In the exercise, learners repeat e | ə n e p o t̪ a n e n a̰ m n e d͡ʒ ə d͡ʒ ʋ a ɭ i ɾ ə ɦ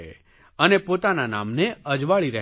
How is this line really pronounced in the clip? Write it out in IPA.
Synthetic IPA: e | ə n e p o t̪ a n a n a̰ m n e ə d͡ʒ ʋ a ɭ i ɾ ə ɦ